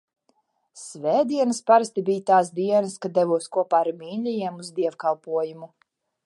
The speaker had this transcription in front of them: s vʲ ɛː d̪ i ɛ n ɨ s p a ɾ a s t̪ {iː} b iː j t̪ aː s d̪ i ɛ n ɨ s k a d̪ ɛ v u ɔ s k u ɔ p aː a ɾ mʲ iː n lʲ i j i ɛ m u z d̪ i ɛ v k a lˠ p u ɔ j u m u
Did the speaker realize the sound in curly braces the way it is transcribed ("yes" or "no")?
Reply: no